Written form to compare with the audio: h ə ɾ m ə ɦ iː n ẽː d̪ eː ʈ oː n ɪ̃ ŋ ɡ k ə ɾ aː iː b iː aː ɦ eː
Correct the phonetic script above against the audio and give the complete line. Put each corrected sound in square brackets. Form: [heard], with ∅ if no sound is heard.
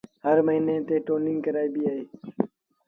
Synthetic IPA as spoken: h ə ɾ m ə ɦ iː n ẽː [t̪] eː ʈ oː n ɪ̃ ŋ ɡ k ə ɾ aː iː b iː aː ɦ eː